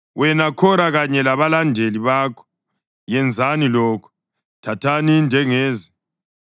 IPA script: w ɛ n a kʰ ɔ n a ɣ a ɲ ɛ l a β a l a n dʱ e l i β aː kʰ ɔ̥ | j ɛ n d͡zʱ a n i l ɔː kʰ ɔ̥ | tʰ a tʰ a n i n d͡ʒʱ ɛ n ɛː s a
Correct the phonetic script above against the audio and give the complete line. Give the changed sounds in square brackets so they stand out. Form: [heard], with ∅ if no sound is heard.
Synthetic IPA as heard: w ɛ n a kʰ ɔ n a ɣ a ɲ ɛ l a β a l a n dʱ e l i β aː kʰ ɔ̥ | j ɛ n d͡zʱ a n i l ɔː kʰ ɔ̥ | tʰ a tʰ a n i n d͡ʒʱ ɛ [ŋ] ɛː [z] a